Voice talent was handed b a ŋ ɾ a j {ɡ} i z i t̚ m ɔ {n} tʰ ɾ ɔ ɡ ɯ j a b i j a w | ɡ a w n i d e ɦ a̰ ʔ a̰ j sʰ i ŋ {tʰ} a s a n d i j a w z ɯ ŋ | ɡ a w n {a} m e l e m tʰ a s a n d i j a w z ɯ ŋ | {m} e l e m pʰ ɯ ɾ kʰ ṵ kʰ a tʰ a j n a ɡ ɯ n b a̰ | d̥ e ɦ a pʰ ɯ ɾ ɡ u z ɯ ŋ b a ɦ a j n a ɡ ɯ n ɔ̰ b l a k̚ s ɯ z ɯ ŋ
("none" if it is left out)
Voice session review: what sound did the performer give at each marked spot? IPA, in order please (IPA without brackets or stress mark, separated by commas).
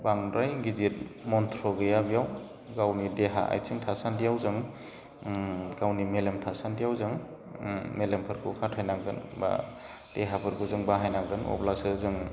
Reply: ɡ, n, tʰ, i, m